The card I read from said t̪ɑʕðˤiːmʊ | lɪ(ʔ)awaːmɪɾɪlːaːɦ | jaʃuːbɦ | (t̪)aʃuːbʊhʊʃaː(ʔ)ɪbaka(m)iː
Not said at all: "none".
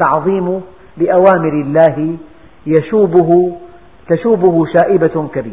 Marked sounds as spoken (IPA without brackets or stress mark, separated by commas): ʔ, t̪, ʔ, b